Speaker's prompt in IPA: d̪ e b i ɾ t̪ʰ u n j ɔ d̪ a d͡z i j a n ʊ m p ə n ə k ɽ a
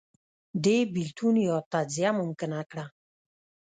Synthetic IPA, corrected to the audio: d̪ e b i l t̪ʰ u n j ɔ t̪ a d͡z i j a m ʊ m k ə n a k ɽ a